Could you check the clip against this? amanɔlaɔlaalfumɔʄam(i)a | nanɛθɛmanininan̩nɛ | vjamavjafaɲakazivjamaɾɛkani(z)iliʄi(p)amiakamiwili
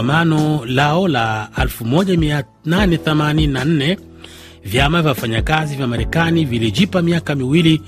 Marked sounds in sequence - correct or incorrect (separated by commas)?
correct, incorrect, correct